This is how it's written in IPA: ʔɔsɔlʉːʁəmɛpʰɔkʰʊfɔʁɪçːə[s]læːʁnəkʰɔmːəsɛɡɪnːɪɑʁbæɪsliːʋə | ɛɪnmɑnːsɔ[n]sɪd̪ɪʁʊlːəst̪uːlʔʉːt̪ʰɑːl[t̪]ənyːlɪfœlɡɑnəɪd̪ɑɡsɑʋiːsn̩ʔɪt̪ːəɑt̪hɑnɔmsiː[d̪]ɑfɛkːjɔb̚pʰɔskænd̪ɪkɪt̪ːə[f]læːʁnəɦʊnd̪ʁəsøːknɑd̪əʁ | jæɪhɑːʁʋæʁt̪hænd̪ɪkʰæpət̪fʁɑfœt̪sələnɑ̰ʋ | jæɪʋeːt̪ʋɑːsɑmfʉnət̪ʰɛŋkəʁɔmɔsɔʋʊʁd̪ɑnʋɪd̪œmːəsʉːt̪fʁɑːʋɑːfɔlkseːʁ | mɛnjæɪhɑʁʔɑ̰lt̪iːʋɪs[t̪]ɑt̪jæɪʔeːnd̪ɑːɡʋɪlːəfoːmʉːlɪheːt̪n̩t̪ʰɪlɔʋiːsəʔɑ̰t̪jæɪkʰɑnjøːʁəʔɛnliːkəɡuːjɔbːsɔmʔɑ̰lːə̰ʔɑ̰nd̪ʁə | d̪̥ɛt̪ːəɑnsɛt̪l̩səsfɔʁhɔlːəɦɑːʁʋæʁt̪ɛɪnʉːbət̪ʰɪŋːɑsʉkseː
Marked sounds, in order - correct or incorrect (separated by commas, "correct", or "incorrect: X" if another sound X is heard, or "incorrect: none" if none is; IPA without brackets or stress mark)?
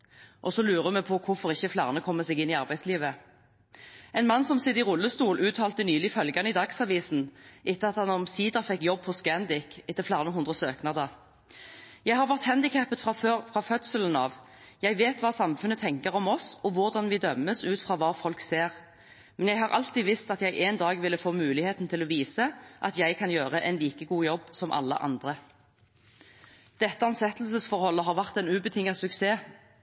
incorrect: f, incorrect: m, correct, correct, correct, correct